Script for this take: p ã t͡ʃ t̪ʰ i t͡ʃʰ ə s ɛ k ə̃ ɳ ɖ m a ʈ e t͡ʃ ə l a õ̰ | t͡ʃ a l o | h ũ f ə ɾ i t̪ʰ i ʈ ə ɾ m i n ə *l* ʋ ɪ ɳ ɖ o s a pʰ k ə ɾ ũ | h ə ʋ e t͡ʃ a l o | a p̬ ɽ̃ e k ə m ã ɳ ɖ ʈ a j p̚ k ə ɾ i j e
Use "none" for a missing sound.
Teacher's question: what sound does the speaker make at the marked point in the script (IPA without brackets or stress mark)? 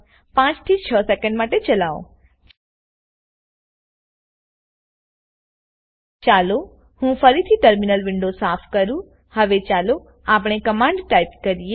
l